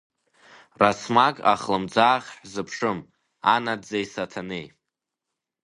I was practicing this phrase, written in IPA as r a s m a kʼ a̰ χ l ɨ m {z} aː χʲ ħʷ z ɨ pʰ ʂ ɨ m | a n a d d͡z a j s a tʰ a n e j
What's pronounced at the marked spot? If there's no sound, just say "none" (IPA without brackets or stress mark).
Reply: d͡z